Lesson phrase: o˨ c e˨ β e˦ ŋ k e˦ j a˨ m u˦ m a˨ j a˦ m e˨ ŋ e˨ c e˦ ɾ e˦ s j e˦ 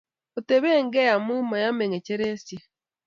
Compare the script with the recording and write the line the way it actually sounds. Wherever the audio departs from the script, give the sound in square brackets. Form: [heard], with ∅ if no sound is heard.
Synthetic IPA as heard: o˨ [t] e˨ β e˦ ŋ [ɡ] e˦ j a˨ m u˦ m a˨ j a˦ m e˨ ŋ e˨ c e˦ ɾ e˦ s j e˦